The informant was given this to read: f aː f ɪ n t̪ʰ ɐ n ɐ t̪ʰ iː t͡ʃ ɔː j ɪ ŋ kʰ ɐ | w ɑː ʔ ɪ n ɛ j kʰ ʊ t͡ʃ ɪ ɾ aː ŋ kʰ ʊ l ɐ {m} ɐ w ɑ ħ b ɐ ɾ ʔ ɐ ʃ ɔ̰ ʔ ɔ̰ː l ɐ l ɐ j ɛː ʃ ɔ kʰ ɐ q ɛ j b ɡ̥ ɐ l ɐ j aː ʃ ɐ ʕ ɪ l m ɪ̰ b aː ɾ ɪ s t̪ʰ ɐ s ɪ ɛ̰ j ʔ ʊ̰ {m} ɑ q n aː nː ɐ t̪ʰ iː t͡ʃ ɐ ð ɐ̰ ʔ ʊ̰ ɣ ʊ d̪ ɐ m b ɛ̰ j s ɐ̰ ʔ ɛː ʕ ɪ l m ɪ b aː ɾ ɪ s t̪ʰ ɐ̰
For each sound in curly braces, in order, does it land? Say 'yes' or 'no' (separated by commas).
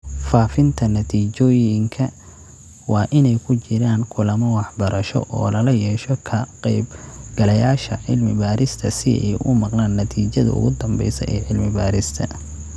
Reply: yes, yes